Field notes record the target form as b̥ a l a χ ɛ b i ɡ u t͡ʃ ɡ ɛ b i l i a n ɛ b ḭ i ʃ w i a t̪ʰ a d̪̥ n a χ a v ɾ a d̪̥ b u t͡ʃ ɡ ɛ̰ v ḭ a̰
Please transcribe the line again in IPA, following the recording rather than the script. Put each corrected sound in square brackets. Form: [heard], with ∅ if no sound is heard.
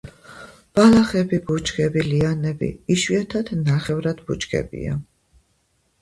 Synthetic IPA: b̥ a l a χ ɛ b i [b] u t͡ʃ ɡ ɛ b i l i a n ɛ b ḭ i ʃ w i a t̪ʰ a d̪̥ n a χ [ɛ] v ɾ a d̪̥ b u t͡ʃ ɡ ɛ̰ [b] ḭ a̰